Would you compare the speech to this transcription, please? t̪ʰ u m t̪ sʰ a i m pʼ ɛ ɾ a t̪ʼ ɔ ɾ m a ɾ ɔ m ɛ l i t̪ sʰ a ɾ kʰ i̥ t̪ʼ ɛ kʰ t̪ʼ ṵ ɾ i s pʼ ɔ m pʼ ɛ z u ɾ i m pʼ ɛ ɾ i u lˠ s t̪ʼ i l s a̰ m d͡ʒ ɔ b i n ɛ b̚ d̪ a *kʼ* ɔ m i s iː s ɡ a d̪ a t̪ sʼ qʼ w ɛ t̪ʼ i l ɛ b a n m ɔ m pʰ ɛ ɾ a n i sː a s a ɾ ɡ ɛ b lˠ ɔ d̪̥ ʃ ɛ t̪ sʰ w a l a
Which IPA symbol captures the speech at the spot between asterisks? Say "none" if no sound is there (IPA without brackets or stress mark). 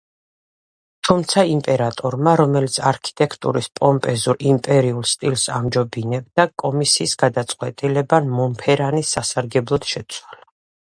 kʼ